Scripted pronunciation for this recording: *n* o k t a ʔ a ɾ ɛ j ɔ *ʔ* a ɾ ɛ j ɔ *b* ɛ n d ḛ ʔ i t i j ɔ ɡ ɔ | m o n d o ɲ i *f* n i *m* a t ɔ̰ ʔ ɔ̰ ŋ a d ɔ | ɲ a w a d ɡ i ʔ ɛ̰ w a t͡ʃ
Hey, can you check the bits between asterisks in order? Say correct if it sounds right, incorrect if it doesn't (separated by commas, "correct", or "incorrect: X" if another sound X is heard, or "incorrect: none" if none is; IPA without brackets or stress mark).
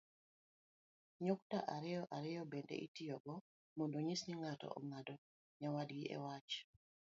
incorrect: ɲ, correct, correct, incorrect: s, incorrect: ŋ